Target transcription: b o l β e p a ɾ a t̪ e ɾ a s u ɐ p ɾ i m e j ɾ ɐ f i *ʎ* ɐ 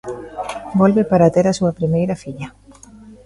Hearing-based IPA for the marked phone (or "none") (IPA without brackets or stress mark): ʎ